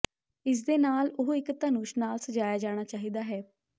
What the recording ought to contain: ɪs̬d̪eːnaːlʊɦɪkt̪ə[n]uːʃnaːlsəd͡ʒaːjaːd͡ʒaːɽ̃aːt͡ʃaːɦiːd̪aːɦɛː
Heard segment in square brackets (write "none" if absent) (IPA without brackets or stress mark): n